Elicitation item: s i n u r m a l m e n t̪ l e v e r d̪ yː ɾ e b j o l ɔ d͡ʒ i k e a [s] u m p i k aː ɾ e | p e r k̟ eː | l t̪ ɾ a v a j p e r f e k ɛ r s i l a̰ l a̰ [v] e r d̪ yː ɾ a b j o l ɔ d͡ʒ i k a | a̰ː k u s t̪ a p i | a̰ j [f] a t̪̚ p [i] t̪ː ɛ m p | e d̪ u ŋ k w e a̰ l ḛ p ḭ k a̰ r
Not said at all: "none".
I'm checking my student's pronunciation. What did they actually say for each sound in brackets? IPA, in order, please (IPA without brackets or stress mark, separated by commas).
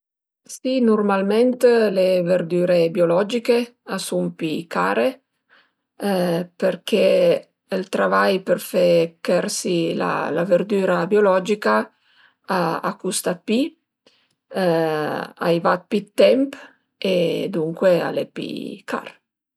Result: s, v, v, i